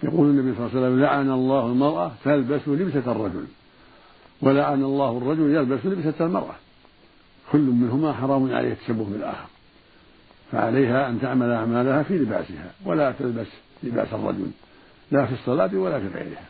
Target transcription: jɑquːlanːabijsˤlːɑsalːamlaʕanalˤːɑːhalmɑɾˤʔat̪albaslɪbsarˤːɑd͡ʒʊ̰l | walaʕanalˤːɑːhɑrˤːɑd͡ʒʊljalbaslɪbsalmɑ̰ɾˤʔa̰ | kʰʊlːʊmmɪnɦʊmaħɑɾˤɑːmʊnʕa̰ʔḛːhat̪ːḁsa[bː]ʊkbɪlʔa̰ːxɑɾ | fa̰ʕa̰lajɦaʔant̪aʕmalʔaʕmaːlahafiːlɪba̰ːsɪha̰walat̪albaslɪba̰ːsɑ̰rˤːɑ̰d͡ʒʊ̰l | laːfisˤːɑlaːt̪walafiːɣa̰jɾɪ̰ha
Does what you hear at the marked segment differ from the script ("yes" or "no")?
no